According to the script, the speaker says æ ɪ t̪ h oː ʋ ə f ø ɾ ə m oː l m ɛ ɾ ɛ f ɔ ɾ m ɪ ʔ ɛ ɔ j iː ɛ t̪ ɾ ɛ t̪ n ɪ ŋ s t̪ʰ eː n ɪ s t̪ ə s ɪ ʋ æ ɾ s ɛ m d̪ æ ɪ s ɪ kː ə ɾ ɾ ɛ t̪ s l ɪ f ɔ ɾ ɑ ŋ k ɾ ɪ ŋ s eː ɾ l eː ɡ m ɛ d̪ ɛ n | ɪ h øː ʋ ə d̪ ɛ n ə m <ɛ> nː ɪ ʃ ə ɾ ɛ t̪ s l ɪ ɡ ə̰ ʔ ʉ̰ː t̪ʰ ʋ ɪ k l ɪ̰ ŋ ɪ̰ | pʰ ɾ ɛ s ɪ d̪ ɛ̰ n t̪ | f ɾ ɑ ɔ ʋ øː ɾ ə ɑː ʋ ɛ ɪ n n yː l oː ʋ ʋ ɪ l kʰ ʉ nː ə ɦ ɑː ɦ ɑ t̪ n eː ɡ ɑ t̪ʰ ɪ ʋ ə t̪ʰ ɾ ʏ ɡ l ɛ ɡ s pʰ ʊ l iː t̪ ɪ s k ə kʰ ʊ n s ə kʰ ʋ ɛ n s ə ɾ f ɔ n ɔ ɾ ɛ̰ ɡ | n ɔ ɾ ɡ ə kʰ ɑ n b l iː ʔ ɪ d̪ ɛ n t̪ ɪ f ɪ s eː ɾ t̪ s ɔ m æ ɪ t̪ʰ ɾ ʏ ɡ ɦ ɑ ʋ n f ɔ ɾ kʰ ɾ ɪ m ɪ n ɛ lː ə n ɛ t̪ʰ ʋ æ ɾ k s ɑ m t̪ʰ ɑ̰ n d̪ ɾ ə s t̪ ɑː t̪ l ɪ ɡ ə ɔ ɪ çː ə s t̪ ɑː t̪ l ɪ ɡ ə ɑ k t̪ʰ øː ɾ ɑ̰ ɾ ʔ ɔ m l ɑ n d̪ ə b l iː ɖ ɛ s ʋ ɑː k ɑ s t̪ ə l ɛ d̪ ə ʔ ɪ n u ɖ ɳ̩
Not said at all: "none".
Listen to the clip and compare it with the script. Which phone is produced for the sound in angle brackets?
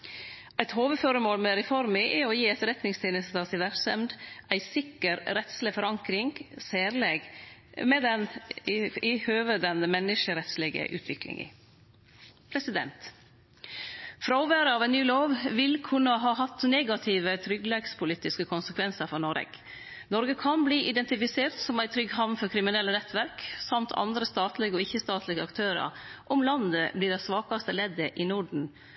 ɛ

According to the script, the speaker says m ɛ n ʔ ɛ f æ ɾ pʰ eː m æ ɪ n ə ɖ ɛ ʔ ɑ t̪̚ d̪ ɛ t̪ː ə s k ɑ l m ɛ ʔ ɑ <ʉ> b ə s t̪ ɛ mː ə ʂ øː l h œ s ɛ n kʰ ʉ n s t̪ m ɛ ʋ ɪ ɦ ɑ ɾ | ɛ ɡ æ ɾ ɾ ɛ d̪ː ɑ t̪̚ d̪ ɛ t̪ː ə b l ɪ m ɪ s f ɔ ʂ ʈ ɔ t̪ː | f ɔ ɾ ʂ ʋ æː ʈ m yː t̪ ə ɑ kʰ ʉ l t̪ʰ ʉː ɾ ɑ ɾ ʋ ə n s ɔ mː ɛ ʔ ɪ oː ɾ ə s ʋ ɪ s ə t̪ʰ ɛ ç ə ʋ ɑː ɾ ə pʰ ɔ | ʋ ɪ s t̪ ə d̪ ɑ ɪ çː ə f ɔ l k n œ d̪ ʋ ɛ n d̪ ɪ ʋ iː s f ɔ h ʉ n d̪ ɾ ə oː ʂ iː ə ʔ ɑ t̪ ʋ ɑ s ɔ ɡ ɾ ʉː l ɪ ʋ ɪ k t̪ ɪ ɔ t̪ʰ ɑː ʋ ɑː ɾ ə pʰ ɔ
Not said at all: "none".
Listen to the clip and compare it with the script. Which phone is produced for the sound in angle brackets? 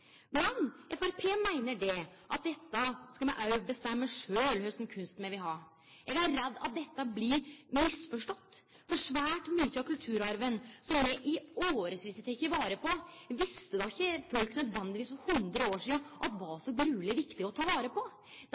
ʉ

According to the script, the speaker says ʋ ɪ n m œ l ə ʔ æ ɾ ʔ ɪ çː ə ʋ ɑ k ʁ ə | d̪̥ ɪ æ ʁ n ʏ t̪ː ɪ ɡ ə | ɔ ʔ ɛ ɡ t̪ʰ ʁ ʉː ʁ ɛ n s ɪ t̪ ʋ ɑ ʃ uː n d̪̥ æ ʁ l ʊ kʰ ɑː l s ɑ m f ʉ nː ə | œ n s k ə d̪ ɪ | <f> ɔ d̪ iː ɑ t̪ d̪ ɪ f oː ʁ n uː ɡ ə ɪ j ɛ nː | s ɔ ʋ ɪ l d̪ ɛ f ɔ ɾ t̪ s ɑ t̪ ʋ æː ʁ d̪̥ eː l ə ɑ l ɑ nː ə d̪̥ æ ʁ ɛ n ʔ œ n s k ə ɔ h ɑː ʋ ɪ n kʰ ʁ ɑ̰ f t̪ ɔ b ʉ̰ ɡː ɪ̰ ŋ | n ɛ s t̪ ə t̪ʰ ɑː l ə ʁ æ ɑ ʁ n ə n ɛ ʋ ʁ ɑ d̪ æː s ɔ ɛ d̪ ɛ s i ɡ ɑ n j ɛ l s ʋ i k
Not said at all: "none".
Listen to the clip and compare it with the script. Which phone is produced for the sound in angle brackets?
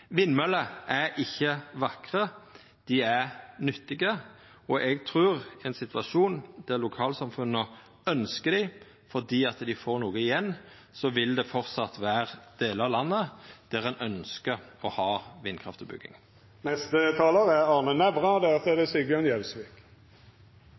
f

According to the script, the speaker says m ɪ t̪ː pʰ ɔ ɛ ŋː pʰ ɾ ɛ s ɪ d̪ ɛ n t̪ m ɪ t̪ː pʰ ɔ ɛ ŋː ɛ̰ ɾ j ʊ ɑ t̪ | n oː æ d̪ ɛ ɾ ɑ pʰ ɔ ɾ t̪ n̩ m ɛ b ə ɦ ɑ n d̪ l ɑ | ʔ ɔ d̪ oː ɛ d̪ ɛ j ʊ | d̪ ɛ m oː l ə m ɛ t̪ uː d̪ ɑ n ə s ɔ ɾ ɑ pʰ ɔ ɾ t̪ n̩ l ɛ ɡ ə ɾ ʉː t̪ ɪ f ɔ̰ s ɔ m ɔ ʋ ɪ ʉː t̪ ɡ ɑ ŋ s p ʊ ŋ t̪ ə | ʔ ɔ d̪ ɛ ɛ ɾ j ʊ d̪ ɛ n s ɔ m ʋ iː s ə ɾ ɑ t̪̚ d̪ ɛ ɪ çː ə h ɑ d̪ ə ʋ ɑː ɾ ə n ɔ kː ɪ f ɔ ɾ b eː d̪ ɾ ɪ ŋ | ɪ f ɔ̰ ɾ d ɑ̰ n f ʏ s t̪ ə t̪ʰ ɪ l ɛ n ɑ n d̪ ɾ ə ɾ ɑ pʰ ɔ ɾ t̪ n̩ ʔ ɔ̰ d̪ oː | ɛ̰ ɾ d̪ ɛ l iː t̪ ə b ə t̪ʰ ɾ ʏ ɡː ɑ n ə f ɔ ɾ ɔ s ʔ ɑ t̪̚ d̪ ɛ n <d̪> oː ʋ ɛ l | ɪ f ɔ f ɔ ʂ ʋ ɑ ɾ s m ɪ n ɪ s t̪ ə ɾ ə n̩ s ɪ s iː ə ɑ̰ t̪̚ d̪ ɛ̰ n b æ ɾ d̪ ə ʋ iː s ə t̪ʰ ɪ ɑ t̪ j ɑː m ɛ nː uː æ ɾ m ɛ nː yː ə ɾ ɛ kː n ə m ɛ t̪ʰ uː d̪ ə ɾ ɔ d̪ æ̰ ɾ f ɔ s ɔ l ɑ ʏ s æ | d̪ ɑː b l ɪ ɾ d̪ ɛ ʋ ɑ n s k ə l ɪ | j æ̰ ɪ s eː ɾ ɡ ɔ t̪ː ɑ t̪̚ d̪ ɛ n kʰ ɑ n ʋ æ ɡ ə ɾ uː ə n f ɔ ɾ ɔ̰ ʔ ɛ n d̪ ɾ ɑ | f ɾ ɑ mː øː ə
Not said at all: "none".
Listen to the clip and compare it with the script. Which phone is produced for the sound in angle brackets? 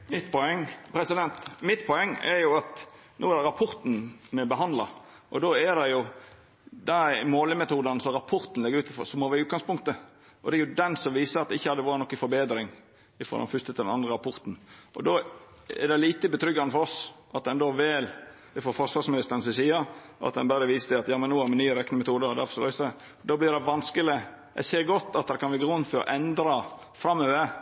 d̪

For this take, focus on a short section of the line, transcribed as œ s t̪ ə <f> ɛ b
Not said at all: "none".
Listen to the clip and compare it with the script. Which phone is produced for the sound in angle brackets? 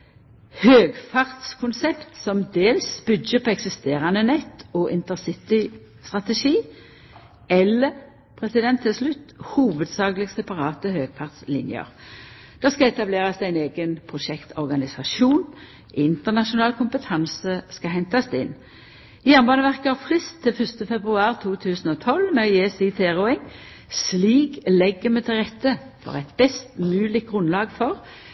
f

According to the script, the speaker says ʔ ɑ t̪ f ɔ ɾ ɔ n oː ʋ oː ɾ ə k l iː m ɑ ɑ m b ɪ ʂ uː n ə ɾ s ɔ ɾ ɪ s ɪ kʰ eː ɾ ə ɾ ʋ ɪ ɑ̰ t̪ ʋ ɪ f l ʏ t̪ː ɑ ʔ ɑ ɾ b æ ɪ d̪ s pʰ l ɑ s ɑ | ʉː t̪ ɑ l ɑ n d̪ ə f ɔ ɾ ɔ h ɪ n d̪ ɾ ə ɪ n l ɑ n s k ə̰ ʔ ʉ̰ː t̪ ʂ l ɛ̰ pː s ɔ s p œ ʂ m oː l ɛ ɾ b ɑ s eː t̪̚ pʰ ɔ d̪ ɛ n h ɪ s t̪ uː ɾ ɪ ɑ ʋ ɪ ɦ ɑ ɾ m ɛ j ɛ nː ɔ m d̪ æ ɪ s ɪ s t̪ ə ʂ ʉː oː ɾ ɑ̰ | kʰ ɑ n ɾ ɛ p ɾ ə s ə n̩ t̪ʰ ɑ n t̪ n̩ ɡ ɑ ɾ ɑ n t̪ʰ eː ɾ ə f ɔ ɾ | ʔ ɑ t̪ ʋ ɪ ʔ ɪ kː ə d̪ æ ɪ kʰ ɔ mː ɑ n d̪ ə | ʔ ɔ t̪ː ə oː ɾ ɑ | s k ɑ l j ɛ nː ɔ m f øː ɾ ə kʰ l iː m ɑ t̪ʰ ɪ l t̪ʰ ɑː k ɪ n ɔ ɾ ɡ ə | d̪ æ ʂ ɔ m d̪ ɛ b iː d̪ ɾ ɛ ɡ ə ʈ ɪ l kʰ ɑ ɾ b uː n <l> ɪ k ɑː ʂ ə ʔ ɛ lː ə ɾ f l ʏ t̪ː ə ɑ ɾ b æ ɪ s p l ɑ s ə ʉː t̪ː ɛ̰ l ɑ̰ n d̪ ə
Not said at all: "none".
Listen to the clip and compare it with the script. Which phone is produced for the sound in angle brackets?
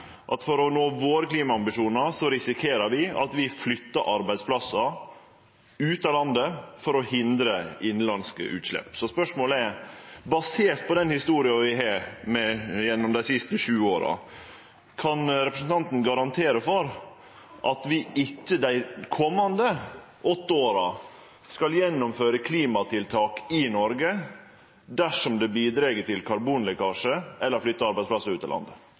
l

